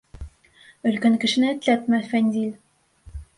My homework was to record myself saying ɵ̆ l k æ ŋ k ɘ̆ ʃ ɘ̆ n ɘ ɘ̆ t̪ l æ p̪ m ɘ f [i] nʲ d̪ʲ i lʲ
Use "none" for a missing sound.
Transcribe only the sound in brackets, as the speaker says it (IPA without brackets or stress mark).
æ